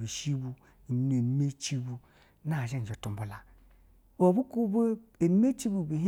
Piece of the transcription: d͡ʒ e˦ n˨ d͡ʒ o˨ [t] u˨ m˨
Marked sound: correct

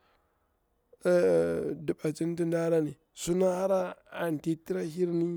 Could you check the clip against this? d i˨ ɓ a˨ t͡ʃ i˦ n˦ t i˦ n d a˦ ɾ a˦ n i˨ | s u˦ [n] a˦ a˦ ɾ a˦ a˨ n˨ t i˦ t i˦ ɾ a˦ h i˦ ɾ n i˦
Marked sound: correct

